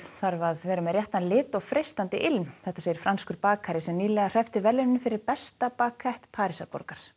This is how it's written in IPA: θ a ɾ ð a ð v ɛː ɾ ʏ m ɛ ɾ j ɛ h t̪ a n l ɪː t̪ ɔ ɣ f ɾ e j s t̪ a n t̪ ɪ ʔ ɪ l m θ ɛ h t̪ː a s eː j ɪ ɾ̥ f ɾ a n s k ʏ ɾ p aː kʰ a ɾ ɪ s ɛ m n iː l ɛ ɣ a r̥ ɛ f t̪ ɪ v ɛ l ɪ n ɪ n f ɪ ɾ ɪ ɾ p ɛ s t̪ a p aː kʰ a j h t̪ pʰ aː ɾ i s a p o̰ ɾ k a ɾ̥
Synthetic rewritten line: θ a ɾ v a ð v ɛː ɾ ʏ m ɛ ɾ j ɛ h t̪ a n l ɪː t̪ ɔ ɣ f ɾ e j s t̪ a n t̪ ɪ ʔ ɪ l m θ ɛ h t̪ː a s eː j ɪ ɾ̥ f ɾ a n s k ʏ ɾ p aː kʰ a ɾ ɪ s ɛ m n iː l ɛ ɣ a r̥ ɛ f t̪ ɪ v ɛ l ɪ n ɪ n f ɪ ɾ ɪ ɾ p ɛ s t̪ a p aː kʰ a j h t̪ pʰ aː ɾ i s a p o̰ ɾ k a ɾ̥